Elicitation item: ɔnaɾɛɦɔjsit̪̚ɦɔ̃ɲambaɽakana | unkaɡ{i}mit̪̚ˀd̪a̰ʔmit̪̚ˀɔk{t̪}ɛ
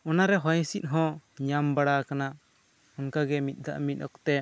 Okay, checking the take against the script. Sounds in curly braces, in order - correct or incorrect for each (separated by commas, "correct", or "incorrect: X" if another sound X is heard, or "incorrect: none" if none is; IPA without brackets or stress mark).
incorrect: ɛ, correct